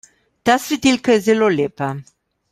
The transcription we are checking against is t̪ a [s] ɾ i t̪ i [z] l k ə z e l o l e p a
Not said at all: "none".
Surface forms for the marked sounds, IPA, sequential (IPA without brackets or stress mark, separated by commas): s, none